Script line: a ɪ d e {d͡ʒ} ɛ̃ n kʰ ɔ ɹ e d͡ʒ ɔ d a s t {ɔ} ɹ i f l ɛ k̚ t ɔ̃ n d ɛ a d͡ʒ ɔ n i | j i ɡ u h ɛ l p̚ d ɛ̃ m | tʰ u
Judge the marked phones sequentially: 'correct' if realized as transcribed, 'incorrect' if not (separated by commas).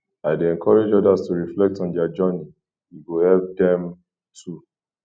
incorrect, incorrect